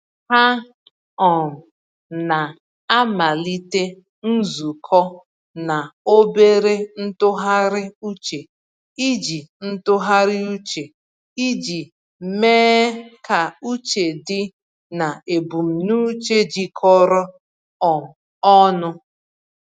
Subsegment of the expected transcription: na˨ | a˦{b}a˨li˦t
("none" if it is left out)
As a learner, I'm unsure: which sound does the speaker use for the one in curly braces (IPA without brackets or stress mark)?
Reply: m